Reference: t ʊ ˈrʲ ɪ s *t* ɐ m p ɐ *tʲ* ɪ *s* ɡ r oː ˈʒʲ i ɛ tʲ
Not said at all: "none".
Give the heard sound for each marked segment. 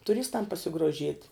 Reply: t, sʲ, none

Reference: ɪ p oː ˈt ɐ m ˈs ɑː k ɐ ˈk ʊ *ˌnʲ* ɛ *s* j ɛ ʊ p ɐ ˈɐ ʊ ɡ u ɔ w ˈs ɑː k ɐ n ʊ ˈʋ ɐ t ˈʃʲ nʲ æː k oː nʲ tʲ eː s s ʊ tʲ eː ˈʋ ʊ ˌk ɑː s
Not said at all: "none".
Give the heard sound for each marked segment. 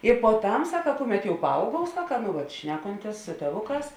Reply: mʲ, t

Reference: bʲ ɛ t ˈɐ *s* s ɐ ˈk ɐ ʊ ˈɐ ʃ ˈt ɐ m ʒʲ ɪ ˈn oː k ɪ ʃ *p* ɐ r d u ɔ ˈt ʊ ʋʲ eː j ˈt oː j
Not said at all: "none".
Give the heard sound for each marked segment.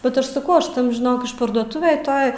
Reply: ʃ, p

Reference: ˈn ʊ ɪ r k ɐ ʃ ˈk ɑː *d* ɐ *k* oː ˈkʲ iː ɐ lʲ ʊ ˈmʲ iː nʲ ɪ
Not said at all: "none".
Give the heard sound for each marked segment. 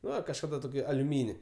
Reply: d, t

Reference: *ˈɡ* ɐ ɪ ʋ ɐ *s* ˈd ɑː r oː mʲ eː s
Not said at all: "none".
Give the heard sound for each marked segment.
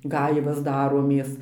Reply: ɡ, s

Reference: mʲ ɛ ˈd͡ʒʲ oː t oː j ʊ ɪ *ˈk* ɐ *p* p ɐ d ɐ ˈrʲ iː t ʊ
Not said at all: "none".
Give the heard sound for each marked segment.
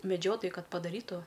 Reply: k, t

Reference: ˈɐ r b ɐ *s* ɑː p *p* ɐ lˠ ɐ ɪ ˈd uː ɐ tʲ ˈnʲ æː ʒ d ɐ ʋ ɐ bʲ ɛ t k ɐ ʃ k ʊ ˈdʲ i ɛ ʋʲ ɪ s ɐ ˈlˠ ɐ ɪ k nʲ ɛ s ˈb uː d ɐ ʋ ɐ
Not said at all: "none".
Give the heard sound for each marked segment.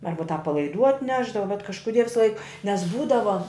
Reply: t, p

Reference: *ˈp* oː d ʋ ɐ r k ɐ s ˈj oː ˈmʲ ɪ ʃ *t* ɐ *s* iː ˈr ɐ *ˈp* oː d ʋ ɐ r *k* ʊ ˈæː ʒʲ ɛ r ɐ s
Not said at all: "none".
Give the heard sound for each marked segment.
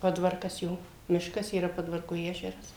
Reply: p, k, s, p, k

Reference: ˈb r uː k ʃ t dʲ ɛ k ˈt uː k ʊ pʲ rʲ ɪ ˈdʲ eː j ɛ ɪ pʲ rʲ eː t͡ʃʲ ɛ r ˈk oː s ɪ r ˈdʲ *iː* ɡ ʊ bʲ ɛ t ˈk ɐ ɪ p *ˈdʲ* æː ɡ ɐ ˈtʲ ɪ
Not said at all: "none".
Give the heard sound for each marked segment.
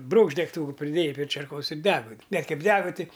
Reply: æː, dʲ

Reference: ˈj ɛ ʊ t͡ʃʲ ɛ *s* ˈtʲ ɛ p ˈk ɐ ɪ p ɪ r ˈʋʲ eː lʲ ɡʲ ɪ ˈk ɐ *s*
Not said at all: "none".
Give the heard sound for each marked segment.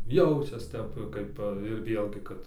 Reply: s, t

